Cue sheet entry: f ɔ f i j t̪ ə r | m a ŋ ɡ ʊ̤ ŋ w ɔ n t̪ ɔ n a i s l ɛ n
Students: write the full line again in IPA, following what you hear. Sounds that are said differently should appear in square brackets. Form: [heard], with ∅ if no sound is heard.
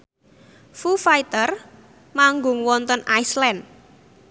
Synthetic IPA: f [u] f [a] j t̪ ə r | m a ŋ ɡ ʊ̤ ŋ w ɔ n t̪ ɔ n a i s l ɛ n